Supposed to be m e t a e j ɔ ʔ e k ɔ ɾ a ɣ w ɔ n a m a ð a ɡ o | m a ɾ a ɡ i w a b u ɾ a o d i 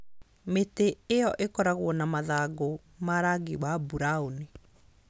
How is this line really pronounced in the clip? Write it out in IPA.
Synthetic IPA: m e t e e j ɔ ʔ e k ɔ ɾ a ɣ w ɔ n a m a ð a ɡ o | m a ɾ a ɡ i w a b u ɾ a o n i